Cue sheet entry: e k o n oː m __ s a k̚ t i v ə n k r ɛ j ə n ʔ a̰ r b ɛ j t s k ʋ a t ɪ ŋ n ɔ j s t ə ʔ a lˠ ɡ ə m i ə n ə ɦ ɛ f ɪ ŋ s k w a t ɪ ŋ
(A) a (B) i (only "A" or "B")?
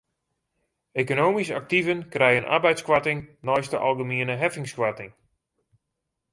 B